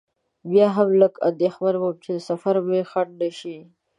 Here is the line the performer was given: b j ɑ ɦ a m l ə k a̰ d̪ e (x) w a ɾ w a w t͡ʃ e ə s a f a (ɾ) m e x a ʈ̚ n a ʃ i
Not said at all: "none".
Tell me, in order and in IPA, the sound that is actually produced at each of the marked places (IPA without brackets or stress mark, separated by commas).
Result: x, ɾ